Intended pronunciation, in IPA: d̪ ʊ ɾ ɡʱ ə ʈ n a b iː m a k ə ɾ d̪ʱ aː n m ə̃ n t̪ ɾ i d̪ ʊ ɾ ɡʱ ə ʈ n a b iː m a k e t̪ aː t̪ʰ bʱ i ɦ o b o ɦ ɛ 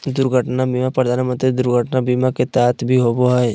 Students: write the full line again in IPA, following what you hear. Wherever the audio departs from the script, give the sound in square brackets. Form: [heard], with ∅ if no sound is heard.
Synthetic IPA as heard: d̪ ʊ ɾ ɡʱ ə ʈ n a b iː m a [p] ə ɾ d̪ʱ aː n m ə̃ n t̪ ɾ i d̪ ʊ ɾ ɡʱ ə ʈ n a b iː m a k e t̪ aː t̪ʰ bʱ i ɦ o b o ɦ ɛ